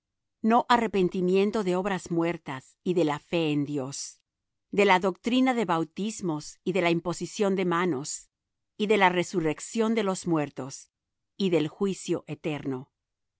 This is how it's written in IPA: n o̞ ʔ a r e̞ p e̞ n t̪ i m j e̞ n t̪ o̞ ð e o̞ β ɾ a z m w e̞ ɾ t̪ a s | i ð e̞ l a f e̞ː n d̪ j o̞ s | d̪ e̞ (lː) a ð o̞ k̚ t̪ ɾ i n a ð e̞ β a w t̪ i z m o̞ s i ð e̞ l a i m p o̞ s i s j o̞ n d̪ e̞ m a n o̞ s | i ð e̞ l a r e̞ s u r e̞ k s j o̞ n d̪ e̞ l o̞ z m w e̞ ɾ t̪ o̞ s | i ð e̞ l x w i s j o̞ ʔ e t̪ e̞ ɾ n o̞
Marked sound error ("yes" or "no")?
yes